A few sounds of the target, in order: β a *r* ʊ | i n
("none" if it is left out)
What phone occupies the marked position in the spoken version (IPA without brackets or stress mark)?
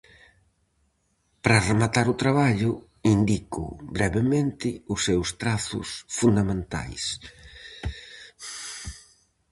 ʎ